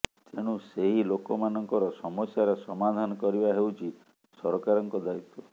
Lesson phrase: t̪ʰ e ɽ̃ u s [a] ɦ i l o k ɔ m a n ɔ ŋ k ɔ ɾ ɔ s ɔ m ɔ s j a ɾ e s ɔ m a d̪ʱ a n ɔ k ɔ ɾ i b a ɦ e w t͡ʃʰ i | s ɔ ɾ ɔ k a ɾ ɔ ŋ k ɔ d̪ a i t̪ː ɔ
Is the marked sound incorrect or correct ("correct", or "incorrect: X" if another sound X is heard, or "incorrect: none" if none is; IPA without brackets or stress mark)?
incorrect: e